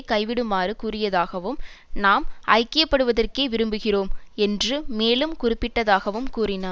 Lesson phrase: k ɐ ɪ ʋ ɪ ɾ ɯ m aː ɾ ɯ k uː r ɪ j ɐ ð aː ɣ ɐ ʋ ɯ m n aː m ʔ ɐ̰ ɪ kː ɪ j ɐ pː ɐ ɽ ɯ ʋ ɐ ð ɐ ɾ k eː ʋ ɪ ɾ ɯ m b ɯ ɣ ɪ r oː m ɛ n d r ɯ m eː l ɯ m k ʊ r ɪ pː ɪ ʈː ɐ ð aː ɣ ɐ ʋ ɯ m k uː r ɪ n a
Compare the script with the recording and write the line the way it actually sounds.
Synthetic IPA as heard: k ɐ ɪ ʋ ɪ ɽ ɯ m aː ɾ ɯ k uː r ɪ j ɐ ð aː ɣ ɐ ʋ ɯ m n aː m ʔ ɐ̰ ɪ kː ɪ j ɐ pː ɐ ɽ ɯ ʋ ɐ ð ɐ r k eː ʋ ɪ ɾ ɯ m b ɯ ɣ ɪ r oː m ɛ n d r ɯ m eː l ɯ m k ʊ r ɪ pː ɪ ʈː ɐ ð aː ɣ ɐ ʋ ɯ m k uː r ɪ n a